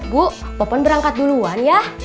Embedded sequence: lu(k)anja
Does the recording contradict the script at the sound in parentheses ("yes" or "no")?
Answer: yes